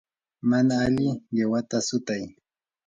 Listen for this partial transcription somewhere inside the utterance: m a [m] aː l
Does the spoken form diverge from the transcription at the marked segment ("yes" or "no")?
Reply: yes